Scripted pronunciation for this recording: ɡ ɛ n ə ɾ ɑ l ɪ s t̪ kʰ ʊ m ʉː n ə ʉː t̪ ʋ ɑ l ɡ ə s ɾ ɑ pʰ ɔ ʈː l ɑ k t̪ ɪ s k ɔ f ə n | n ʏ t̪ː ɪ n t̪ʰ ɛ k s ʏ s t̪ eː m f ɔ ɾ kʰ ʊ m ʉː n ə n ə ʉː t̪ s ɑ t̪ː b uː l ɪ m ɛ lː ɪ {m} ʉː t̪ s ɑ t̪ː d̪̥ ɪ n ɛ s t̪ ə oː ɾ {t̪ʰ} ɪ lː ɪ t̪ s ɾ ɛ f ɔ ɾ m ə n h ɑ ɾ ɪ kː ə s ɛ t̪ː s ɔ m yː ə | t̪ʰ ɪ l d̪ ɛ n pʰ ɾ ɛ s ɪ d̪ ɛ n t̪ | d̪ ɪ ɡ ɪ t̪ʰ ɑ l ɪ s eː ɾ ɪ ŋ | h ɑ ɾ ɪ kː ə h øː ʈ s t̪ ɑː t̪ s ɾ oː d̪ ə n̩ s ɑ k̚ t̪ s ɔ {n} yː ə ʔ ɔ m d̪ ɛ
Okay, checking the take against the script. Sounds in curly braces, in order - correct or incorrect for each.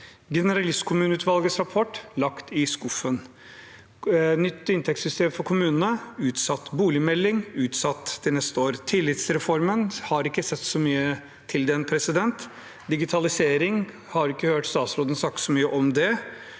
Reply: incorrect, correct, incorrect

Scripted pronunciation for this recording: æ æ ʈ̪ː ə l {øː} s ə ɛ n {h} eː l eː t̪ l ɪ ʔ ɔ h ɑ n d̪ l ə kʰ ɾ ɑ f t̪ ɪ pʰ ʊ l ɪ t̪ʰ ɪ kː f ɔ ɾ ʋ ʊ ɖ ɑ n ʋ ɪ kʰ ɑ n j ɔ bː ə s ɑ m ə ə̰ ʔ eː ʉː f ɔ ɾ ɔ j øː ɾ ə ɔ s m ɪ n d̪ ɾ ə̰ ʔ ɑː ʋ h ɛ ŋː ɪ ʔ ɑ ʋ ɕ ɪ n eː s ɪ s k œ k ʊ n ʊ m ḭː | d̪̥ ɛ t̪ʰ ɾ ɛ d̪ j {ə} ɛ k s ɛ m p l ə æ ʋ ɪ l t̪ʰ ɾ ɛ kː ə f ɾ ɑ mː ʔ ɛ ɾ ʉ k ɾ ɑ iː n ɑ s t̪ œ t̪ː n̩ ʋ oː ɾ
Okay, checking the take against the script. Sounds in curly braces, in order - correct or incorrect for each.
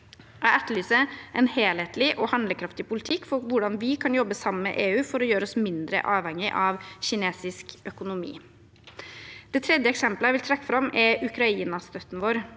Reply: incorrect, correct, correct

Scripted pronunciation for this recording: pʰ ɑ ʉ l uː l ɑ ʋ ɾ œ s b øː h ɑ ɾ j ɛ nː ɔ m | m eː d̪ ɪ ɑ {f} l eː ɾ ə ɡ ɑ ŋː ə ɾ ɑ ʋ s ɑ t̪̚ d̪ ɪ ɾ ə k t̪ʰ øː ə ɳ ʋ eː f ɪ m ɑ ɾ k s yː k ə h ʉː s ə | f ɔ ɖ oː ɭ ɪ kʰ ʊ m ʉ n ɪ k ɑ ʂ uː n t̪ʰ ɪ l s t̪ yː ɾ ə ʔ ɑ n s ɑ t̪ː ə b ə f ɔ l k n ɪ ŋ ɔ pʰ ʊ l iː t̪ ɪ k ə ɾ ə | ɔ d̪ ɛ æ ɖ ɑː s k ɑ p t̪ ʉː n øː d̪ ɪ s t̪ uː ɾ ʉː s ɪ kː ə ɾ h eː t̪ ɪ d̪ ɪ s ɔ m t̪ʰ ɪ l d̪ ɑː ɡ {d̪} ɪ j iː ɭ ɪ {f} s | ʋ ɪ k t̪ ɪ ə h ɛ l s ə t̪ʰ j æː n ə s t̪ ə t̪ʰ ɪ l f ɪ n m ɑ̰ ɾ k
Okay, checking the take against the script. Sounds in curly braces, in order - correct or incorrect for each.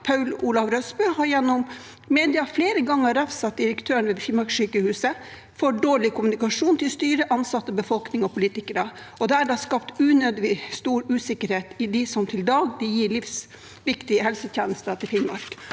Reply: correct, correct, correct

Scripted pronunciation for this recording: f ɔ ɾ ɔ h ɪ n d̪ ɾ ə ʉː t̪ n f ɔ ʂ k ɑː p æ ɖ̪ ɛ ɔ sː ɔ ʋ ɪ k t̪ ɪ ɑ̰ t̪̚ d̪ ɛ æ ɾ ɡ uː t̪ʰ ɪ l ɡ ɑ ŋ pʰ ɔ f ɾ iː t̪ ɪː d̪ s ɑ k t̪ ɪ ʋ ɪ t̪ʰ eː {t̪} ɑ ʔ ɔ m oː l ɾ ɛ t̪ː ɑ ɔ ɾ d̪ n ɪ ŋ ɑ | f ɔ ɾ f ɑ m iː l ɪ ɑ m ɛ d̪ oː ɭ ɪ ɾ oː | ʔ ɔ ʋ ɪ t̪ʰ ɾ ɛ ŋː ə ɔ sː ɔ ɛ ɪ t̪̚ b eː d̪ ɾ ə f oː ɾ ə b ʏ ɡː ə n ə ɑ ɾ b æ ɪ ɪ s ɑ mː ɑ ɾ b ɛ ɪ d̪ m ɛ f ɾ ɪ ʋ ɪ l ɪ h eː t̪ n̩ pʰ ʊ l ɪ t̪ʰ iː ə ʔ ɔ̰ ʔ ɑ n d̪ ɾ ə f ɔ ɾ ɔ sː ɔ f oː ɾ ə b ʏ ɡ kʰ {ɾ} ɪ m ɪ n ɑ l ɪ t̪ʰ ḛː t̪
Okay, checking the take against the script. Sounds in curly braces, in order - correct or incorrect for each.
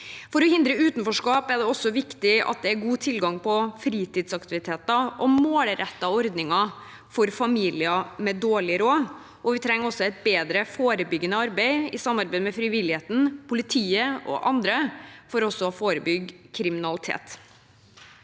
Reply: correct, correct

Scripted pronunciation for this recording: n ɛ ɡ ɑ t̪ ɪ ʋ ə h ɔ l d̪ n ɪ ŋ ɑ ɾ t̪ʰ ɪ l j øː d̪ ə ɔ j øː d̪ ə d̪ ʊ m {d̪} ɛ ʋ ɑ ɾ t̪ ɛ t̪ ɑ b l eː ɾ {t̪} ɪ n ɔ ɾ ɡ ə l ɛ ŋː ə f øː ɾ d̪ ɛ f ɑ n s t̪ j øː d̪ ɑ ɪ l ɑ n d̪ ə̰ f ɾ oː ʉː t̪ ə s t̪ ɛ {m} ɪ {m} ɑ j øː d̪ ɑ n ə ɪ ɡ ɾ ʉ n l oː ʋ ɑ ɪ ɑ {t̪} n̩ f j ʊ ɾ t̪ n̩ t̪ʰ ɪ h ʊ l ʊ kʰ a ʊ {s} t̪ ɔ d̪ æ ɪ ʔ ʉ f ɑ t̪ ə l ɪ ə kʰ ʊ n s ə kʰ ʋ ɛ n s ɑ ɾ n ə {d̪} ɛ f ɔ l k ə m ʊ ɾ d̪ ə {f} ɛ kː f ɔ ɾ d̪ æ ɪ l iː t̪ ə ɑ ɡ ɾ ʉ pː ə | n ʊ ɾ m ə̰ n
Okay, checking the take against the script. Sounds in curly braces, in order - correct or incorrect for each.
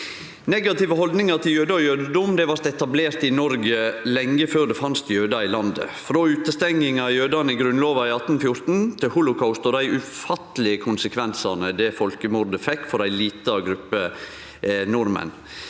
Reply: correct, correct, incorrect, incorrect, correct, correct, correct, correct

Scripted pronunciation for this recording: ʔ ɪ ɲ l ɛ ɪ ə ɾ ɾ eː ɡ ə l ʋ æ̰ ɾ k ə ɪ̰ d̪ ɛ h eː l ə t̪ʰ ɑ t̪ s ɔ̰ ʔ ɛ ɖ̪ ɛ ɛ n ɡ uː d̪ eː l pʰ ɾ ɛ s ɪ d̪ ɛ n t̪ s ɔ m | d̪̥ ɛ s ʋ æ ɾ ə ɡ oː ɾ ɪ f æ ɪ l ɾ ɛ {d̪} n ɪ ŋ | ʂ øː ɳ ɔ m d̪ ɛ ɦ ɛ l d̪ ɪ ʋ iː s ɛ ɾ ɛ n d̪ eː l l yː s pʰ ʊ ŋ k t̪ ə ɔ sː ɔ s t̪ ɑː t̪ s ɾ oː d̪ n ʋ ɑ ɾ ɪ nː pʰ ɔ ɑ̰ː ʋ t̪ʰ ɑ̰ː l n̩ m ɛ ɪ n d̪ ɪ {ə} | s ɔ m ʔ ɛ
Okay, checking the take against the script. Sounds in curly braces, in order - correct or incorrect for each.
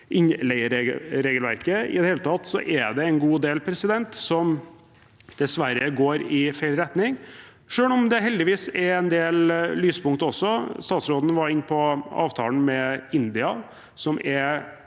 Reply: incorrect, incorrect

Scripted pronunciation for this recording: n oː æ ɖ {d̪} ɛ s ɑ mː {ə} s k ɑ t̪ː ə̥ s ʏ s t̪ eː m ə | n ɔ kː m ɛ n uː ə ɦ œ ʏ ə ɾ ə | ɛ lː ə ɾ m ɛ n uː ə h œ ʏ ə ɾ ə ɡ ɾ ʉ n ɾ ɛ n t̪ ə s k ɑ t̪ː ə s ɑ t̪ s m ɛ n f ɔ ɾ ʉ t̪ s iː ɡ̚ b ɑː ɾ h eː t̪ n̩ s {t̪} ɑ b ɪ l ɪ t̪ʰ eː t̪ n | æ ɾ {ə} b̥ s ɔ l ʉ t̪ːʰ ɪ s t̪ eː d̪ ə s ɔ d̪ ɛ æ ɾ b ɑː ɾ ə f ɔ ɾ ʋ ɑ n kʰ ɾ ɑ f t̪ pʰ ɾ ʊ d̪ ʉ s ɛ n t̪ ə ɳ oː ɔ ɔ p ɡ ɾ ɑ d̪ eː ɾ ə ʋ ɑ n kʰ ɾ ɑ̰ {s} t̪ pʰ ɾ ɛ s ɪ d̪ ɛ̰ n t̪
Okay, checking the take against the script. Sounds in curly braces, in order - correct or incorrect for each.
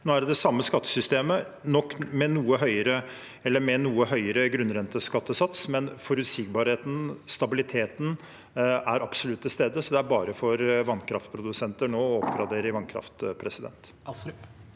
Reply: correct, correct, correct, incorrect, incorrect

